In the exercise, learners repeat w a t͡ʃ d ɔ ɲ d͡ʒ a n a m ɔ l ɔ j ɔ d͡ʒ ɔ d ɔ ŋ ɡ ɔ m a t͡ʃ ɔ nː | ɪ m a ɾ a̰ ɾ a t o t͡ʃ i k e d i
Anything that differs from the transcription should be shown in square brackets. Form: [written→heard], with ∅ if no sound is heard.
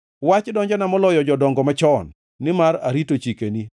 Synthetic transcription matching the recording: w a t͡ʃ d ɔ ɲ d͡ʒ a n a m ɔ l ɔ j ɔ d͡ʒ ɔ d ɔ ŋ ɡ ɔ m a t͡ʃ ɔ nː | ɪ m a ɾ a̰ ɾ [a→i] t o t͡ʃ i k e [d→n] i

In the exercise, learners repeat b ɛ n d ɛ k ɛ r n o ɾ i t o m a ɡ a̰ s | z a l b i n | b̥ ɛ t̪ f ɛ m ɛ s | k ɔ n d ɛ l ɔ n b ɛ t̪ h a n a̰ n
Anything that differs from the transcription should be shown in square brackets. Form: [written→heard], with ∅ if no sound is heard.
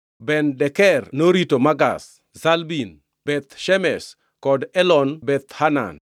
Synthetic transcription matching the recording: b ɛ n d ɛ k ɛ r n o ɾ i t o m a ɡ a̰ s | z a l b i n | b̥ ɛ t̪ [f→ʃ] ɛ m ɛ s | k ɔ [n→∅] d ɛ l ɔ n b ɛ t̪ h a n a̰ n

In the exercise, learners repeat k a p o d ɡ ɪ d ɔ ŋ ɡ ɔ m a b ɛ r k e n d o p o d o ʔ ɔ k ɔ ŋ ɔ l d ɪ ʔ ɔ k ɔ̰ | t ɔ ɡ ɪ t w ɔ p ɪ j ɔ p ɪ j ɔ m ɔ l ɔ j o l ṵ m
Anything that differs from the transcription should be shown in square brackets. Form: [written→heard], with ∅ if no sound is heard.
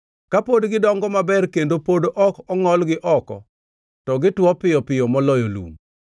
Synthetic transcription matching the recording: k a p o d ɡ ɪ d ɔ ŋ ɡ ɔ m a b ɛ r k e n d o p o d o ʔ ɔ k ɔ ŋ ɔ l [d→ɡ] ɪ ʔ ɔ k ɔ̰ | t ɔ ɡ ɪ t w ɔ p ɪ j ɔ p ɪ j ɔ m ɔ l ɔ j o l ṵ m

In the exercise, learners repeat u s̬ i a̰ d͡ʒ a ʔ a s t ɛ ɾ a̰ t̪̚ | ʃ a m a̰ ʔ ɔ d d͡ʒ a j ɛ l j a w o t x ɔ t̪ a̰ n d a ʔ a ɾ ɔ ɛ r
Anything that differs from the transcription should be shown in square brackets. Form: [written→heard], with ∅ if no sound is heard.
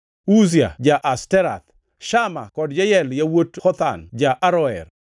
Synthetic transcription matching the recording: u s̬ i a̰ d͡ʒ a ʔ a s t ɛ ɾ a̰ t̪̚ | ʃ a m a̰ [ʔ→k] ɔ d d͡ʒ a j ɛ l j a w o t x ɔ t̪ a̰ n [d→d͡ʒ] a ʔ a ɾ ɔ ɛ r

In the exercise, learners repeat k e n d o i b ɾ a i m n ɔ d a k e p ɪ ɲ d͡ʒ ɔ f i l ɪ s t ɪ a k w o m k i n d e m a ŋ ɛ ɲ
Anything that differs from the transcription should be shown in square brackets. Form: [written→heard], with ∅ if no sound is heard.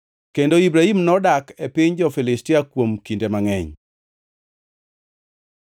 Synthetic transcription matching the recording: k e n d o i b ɾ a i m n ɔ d a k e p ɪ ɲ d͡ʒ ɔ f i l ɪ s t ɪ a k w o m k i n d e m a ŋ ɛ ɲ

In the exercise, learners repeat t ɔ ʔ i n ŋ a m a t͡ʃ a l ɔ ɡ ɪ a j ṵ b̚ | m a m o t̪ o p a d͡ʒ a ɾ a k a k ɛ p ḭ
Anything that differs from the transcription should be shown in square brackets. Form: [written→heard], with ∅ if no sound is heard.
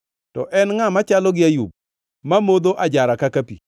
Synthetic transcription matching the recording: t ɔ ʔ [i→ɛ] n ŋ a m a t͡ʃ a l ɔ ɡ ɪ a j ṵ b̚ | m a m o [t̪→d̪] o [p→ʔ] a d͡ʒ a ɾ a k a k [ɛ→a] p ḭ

